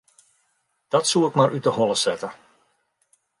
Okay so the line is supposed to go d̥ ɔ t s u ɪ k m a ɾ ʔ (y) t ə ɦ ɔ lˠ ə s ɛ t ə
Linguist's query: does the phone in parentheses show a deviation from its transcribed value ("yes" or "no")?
no